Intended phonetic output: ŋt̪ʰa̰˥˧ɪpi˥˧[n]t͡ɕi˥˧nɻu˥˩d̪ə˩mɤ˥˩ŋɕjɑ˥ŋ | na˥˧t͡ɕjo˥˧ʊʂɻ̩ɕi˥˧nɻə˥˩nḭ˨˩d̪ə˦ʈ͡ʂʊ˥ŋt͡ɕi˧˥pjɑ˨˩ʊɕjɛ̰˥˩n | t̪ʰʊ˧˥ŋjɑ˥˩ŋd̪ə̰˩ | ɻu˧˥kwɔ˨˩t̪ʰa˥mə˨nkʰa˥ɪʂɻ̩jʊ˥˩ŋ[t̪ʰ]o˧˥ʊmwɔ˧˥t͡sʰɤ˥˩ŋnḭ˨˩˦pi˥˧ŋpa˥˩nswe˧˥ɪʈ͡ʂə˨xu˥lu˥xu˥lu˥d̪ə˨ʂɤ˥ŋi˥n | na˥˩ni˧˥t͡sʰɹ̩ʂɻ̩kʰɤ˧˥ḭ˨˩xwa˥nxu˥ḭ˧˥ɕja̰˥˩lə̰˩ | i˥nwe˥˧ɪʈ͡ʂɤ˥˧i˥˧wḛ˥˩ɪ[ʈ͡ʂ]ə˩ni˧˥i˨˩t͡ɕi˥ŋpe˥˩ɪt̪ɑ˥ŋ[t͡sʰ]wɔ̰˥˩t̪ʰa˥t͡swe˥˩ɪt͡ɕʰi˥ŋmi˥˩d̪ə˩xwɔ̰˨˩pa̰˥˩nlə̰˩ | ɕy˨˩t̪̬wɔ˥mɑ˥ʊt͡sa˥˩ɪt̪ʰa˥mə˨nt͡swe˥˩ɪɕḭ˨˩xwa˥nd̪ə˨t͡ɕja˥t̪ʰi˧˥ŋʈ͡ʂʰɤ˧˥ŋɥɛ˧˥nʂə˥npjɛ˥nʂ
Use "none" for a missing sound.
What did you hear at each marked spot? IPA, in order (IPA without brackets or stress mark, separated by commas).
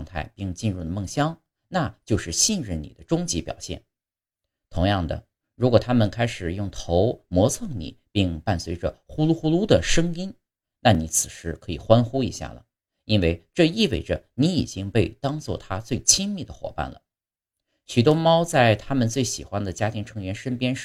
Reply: ŋ, t̪ʰ, ʈ͡ʂ, t͡s